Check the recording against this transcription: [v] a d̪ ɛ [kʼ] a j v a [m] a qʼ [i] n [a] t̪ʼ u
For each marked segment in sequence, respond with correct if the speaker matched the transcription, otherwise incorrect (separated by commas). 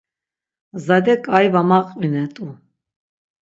incorrect, correct, correct, correct, incorrect